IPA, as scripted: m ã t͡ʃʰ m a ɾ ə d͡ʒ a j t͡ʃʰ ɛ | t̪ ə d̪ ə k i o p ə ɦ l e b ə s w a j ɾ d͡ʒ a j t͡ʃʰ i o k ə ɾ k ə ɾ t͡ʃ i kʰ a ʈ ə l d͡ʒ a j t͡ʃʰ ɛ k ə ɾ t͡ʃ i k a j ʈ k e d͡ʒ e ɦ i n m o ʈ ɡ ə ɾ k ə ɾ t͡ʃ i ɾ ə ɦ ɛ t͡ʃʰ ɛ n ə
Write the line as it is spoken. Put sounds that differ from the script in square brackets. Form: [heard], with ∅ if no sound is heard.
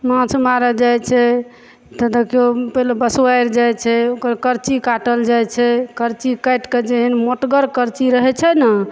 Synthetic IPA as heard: m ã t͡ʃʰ m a ɾ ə d͡ʒ a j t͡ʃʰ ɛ | t̪ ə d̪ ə k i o p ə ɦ l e b ə s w a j ɾ d͡ʒ a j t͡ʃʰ [ɛ] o k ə ɾ k ə ɾ t͡ʃ i [k] a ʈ ə l d͡ʒ a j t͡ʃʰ ɛ k ə ɾ t͡ʃ i k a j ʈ k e d͡ʒ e ɦ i n m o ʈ ɡ ə ɾ k ə ɾ t͡ʃ i ɾ ə ɦ ɛ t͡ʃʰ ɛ n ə